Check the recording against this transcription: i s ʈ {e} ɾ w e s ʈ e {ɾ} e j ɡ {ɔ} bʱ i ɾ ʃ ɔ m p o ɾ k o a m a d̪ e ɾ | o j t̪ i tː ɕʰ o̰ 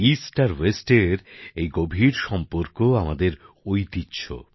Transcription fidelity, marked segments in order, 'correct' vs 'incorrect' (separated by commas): incorrect, correct, incorrect